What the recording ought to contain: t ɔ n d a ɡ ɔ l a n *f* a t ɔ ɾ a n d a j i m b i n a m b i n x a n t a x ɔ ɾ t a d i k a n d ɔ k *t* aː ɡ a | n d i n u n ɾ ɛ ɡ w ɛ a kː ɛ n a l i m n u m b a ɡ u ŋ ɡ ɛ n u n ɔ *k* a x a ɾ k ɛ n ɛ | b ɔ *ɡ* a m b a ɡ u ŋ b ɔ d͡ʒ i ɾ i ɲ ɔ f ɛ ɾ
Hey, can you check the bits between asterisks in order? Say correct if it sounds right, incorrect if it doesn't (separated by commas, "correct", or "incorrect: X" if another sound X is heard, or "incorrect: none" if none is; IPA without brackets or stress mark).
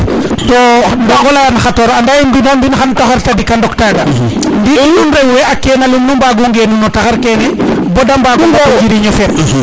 incorrect: x, correct, incorrect: t, incorrect: d